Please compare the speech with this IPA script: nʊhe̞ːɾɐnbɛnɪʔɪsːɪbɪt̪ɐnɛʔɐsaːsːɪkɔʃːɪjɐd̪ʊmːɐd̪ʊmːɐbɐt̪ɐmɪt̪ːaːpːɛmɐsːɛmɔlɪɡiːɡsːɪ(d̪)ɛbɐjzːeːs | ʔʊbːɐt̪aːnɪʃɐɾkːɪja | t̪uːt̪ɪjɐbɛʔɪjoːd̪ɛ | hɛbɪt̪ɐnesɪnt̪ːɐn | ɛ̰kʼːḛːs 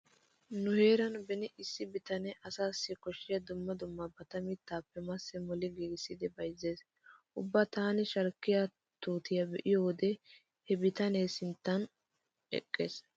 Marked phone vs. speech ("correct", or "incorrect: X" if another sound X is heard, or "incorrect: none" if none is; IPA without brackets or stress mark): correct